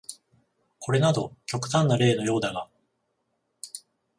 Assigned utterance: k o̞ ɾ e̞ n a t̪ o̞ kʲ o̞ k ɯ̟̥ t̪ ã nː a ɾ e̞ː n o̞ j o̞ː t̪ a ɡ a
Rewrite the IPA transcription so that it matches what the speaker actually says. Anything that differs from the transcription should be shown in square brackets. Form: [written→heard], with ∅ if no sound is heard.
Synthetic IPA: k o̞ ɾ e̞ n a [t̪→d̪] o̞ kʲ o̞ k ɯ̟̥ t̪ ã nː a ɾ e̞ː n o̞ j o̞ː [t̪→d̪] a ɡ a